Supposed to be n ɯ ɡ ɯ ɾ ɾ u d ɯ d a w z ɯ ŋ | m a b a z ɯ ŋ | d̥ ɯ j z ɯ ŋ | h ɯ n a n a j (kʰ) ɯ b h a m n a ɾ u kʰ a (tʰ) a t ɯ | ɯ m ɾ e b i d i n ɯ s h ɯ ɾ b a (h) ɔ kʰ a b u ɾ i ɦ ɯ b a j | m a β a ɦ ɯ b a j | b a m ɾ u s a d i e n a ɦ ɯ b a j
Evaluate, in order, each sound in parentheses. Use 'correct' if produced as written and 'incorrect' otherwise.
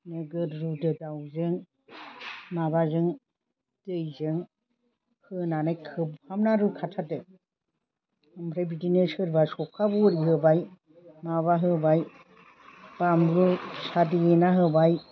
correct, correct, incorrect: s

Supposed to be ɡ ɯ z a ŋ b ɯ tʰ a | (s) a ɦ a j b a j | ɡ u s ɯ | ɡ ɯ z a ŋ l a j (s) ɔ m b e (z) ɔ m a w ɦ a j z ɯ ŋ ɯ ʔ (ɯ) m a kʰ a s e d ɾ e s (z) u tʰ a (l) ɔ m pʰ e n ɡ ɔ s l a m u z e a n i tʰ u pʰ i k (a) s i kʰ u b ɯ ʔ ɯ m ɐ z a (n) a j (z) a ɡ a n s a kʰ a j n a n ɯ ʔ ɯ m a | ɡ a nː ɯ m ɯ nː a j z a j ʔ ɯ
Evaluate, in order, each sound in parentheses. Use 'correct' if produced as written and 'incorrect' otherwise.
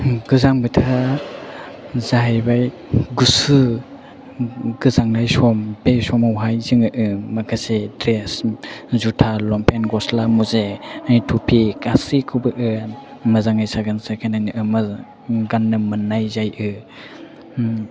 incorrect: z, correct, incorrect: s, correct, correct, correct, correct, incorrect: ŋ, incorrect: s

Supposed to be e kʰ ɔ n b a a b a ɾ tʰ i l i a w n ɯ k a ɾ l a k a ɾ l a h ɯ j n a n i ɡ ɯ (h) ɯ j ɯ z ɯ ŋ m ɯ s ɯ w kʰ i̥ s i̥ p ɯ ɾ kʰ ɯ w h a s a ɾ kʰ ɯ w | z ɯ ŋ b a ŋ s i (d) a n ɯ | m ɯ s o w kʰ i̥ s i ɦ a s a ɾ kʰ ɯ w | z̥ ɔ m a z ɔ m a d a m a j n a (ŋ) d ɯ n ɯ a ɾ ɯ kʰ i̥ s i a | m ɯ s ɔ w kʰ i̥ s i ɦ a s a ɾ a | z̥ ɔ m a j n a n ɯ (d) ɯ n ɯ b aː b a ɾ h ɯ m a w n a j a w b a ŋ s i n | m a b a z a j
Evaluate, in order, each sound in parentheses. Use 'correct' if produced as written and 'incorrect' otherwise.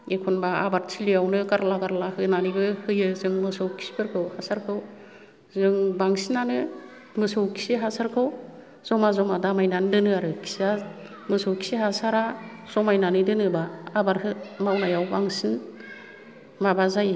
correct, incorrect: n, incorrect: n, correct

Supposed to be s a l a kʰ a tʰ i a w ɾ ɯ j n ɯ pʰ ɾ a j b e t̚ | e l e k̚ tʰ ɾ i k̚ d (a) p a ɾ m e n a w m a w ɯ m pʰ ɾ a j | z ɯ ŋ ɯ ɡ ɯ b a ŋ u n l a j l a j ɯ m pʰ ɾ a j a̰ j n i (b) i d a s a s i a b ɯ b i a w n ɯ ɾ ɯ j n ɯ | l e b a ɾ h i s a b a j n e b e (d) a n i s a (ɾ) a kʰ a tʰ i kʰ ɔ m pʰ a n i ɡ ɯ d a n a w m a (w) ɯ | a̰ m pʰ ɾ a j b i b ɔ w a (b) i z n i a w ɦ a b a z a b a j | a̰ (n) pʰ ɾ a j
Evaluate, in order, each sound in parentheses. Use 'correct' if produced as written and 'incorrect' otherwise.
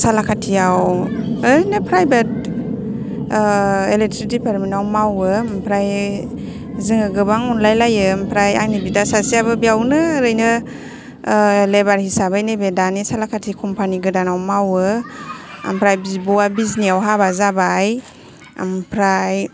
incorrect: i, correct, correct, incorrect: l, correct, correct, incorrect: m

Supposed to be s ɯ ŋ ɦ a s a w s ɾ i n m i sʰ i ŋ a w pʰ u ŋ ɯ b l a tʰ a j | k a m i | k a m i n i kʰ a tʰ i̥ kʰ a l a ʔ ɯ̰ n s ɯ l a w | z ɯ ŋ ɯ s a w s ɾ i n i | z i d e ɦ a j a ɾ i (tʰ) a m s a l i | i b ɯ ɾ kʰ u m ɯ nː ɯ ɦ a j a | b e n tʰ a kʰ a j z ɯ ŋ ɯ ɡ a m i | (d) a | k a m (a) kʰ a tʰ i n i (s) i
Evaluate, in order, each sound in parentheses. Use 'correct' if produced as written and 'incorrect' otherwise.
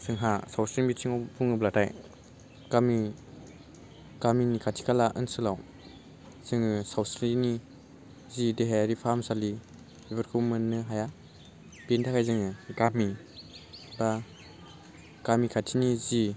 incorrect: pʰ, incorrect: b, incorrect: i, incorrect: z

